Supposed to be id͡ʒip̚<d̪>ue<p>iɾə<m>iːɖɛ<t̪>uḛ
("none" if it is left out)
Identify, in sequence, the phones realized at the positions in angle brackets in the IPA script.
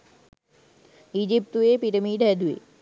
t̪, p, m, d̪

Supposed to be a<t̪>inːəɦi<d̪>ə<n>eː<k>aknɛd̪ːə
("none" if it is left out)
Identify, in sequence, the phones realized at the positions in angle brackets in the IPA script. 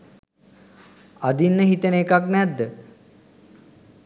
d̪, t̪, n, k

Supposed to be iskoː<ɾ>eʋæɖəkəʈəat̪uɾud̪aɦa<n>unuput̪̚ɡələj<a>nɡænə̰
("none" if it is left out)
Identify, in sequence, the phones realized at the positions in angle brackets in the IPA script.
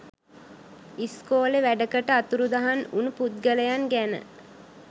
l, n, a

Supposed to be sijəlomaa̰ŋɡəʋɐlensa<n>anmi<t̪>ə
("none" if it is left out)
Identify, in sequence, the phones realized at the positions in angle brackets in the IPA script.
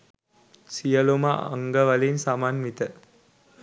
m, t̪

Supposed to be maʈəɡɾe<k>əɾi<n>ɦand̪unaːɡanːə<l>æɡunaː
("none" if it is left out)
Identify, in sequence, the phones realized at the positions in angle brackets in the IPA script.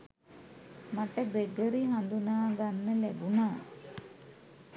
ɡ, none, l

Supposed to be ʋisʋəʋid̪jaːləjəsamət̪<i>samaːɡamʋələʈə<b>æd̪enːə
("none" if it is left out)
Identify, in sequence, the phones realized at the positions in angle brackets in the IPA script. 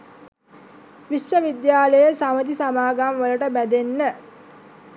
i, b

